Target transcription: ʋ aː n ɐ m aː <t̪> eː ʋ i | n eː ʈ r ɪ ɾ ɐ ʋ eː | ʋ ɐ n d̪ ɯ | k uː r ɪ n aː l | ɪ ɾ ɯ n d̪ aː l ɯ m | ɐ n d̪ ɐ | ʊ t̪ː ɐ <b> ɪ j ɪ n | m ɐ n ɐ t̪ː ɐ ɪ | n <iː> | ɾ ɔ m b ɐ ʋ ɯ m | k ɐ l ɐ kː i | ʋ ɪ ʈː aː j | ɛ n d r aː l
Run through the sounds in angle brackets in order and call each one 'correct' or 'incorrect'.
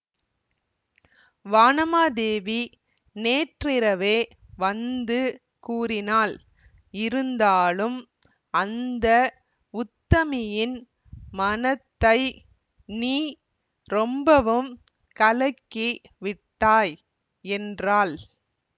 incorrect, incorrect, correct

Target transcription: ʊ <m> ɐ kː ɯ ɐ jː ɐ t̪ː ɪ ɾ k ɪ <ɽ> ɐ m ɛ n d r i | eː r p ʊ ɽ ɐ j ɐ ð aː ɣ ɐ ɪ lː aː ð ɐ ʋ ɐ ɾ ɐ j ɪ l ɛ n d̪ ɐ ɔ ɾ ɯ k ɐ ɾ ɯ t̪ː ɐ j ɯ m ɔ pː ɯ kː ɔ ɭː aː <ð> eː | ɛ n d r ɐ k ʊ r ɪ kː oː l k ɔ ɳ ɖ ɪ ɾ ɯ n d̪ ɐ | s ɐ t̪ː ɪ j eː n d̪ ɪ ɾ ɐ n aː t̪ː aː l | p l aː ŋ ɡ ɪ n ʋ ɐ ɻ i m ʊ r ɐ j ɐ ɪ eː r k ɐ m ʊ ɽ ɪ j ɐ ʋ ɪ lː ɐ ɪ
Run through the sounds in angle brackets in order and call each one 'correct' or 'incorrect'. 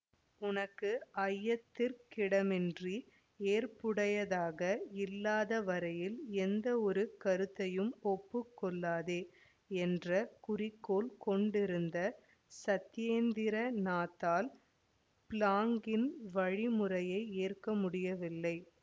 incorrect, correct, correct

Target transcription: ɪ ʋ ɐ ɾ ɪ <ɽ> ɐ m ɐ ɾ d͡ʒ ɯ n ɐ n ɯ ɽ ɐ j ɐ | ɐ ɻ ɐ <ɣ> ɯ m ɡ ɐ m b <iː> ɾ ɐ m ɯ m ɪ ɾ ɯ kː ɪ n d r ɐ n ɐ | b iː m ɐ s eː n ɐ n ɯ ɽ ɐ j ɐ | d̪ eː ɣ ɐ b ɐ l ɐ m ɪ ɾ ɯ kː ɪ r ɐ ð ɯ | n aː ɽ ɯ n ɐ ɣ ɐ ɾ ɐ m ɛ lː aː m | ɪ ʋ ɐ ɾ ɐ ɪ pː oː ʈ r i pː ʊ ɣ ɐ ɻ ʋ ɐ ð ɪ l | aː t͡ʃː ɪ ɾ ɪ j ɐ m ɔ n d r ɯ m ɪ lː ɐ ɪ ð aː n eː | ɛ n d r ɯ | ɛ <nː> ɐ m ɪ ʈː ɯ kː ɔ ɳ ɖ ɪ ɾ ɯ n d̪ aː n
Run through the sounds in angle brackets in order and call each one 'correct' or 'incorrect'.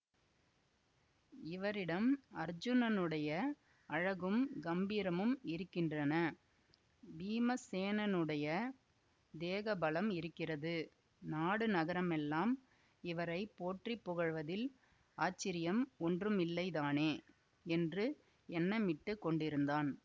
correct, correct, correct, correct

